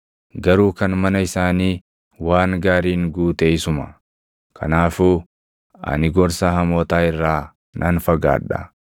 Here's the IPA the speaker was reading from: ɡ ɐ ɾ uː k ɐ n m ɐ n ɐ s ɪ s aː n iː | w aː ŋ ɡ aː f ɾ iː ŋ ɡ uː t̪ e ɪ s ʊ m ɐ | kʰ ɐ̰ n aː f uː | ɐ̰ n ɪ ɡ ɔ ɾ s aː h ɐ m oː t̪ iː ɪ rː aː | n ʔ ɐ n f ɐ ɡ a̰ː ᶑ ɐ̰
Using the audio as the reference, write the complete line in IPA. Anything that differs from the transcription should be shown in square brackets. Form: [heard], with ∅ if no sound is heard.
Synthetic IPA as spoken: ɡ ɐ ɾ uː k ɐ n m ɐ n ɐ [∅] ɪ s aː n iː | w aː ŋ ɡ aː [∅] ɾ iː ŋ ɡ uː t̪ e ɪ s ʊ m ɐ | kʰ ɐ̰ n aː f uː | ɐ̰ n ɪ ɡ ɔ ɾ s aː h ɐ m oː t̪ [aː] ɪ rː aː | n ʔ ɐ n f ɐ ɡ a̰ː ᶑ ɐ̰